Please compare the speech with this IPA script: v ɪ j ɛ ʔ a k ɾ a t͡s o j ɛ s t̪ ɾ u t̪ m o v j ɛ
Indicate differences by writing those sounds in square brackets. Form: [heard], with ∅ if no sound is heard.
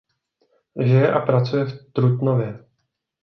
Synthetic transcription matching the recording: [ʒ] ɪ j ɛ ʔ a [p] ɾ a t͡s [u] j ɛ [f] t̪ ɾ u t̪ [n] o v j ɛ